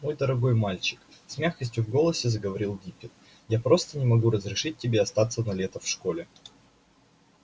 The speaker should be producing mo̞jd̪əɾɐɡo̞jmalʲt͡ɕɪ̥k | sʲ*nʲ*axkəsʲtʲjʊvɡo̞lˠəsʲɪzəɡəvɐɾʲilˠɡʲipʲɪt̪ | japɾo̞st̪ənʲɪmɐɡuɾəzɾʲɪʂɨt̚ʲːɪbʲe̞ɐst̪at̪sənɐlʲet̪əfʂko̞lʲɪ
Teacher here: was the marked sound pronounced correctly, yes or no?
no